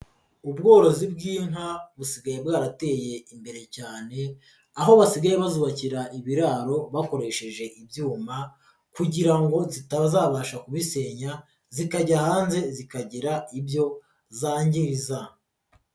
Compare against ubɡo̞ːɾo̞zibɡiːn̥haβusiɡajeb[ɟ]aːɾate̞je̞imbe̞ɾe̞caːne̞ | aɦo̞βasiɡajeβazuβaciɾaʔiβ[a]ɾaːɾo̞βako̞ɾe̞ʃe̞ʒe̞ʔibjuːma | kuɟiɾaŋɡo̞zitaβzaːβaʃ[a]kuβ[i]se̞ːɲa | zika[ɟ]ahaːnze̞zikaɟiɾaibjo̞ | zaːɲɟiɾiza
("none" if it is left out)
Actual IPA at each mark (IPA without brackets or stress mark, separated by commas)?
ɡ, i, a, i, ɟ